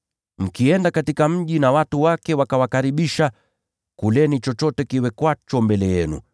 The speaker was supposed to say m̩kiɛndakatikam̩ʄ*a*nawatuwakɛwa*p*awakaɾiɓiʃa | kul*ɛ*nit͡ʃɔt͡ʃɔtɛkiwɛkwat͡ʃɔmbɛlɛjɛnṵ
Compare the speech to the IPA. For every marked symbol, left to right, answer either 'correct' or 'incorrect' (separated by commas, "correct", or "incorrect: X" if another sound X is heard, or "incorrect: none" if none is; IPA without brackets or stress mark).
incorrect: i, incorrect: k, correct